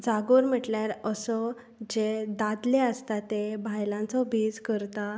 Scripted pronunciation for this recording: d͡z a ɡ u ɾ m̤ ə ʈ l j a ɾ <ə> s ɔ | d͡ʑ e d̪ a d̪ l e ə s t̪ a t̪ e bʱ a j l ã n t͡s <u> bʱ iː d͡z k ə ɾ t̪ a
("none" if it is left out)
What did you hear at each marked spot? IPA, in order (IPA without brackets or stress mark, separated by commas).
ə, ɔ